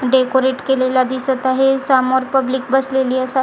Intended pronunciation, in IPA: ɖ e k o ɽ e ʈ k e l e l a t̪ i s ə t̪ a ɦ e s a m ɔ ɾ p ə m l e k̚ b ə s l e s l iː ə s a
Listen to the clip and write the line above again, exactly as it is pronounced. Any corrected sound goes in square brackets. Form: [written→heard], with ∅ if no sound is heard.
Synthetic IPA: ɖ e k o [ɽ→ɾ] e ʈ k e l e l a [t̪→d̪] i s ə t̪ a ɦ e s a m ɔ ɾ p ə [m→b] l [e→i] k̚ b ə s l e [s→∅] l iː ə s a